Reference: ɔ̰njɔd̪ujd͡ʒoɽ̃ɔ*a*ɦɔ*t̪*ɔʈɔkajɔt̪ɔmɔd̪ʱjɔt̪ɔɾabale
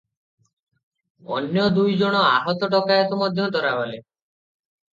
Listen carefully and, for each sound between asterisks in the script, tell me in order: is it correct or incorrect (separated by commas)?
correct, correct